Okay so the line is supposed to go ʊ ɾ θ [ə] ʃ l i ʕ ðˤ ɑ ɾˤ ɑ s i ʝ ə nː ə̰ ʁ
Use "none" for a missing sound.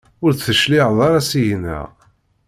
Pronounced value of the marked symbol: ə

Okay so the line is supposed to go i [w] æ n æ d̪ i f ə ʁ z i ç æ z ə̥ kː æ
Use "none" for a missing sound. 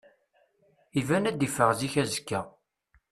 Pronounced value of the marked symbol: v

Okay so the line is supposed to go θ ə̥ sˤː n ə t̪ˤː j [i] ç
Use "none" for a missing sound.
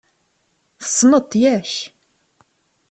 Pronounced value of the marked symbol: æ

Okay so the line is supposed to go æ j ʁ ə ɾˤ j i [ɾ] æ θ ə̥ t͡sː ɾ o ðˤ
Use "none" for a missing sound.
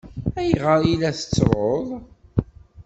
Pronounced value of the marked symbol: l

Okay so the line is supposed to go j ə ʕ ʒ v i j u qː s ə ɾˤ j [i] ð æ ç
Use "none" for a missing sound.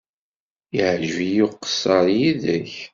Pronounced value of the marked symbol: i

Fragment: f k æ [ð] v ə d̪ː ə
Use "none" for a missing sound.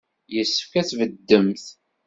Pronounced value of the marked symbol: θ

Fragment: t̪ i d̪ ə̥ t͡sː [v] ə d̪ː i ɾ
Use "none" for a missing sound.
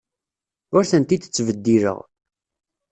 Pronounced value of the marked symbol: v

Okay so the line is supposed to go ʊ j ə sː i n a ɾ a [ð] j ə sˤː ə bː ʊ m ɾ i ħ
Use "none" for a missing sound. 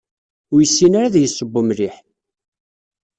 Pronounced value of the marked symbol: ð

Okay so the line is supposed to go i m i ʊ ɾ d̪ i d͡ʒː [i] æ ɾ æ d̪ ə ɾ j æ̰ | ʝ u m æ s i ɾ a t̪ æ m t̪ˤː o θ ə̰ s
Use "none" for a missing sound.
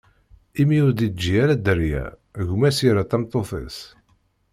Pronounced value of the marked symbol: i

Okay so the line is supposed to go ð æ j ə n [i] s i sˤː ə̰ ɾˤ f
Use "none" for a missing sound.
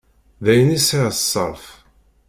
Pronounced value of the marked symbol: i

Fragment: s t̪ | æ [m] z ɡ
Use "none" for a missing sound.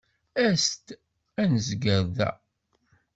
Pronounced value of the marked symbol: n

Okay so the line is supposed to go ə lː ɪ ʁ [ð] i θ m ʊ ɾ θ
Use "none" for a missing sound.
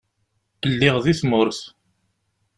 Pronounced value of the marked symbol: ð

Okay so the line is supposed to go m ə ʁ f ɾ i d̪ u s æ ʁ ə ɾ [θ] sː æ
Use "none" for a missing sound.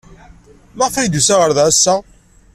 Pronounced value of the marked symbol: ð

